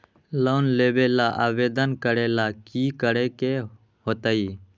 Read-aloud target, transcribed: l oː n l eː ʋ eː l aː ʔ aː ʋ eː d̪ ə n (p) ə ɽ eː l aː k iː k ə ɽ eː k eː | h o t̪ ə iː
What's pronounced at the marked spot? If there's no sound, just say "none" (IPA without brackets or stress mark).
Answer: k